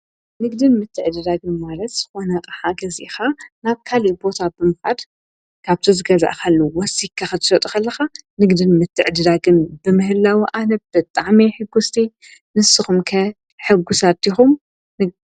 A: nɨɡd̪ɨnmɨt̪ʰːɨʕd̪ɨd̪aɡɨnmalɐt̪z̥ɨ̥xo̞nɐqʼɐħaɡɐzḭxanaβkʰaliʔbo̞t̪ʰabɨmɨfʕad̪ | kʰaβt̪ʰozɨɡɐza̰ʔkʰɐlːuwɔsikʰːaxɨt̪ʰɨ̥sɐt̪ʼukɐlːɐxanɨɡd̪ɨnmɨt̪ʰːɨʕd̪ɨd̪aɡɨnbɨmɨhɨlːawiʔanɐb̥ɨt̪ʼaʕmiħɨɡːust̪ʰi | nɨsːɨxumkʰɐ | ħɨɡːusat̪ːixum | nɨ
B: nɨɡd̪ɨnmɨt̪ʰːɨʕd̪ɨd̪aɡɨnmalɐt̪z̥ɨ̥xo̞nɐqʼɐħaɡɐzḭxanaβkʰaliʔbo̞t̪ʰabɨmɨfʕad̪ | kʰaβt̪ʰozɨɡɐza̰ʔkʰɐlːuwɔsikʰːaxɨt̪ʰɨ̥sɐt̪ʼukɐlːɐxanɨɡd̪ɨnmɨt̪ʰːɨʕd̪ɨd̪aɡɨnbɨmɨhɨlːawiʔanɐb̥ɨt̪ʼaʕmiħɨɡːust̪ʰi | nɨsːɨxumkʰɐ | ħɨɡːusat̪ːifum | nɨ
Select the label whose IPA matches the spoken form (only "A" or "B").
A